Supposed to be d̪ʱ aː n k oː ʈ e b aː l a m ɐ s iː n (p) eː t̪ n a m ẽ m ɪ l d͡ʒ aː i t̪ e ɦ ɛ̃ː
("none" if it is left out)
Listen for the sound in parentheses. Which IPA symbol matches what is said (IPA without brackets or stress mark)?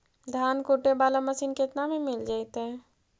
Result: k